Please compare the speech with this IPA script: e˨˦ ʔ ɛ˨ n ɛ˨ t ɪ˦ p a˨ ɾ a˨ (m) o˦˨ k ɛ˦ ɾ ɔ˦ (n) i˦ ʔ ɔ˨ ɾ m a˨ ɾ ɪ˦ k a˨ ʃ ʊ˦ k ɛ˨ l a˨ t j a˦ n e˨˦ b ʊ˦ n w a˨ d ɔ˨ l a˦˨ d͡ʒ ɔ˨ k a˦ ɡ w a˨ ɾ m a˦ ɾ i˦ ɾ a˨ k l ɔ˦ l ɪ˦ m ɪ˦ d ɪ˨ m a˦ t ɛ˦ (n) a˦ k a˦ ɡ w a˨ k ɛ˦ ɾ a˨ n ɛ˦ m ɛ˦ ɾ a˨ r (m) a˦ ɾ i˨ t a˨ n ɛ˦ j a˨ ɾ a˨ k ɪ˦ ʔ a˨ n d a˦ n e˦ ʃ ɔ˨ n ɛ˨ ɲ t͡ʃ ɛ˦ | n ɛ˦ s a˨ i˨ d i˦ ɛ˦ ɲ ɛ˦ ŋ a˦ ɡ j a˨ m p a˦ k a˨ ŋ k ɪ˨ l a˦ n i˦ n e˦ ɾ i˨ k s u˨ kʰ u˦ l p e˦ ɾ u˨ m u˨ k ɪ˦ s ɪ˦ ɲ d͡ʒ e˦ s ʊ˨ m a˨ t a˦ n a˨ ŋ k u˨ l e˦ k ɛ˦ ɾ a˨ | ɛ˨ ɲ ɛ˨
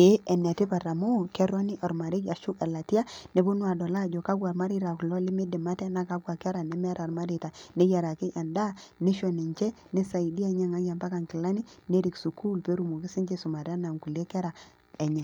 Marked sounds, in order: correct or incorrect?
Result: correct, correct, correct, correct

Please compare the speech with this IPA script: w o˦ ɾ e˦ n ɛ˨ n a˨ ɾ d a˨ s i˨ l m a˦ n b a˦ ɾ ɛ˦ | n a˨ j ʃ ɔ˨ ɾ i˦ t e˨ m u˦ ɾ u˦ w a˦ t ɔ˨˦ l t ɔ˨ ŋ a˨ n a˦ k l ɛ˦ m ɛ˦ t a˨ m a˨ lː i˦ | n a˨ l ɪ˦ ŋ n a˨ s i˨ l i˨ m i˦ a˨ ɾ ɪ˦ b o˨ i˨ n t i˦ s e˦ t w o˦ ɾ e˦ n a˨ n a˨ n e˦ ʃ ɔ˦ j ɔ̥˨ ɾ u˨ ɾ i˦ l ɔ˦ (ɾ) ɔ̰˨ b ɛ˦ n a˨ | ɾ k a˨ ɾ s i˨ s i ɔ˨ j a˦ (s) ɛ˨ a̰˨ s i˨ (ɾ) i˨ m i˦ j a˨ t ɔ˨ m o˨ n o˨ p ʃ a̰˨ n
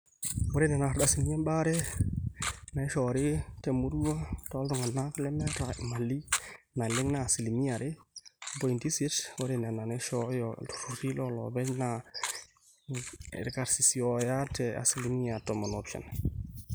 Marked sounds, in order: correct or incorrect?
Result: incorrect: l, incorrect: t, incorrect: l

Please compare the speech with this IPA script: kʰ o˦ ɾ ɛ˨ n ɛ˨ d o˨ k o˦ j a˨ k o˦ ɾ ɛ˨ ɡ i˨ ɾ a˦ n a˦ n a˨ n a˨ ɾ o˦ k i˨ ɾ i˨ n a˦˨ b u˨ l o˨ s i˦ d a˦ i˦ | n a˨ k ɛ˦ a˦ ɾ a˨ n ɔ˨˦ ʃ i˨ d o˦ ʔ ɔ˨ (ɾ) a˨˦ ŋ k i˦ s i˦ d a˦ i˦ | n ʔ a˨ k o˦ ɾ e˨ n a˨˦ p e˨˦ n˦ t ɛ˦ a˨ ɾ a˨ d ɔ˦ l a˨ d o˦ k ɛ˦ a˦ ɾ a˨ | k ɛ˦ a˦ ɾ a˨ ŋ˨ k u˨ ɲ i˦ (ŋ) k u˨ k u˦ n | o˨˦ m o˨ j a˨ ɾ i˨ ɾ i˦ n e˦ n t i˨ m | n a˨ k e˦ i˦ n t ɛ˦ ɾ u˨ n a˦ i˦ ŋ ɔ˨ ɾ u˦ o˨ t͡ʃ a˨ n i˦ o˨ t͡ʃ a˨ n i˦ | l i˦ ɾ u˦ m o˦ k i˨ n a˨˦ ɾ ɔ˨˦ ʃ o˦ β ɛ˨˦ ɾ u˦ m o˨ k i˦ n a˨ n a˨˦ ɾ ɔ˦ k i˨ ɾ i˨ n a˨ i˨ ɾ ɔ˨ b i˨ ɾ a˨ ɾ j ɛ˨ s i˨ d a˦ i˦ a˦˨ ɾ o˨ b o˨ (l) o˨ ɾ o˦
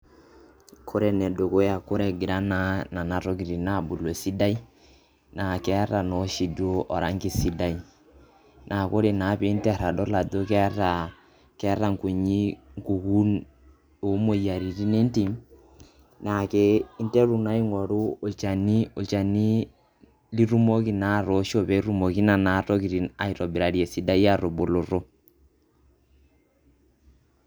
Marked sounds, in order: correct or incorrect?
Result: correct, correct, correct

